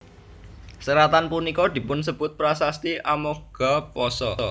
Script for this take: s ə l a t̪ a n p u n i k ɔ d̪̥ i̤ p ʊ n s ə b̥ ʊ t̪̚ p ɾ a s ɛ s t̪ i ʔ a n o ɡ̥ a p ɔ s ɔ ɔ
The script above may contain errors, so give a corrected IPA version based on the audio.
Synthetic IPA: s ə ɾ a t̪ a n p u n i k ɔ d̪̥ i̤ p ʊ n s ə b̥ ʊ t̪̚ p ɾ a s a s t̪ i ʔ a m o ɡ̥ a p ɔ s ɔ ɔ